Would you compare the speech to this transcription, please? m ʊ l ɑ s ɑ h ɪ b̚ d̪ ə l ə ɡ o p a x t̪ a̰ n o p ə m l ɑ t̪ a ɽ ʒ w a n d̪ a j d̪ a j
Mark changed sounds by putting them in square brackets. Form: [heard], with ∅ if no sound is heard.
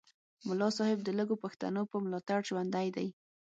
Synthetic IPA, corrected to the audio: m ʊ l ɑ s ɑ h ɪ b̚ d̪ ə l ə ɡ o p a x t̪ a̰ n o p ə m l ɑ t̪ a ɽ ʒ w a n d̪ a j d̪ a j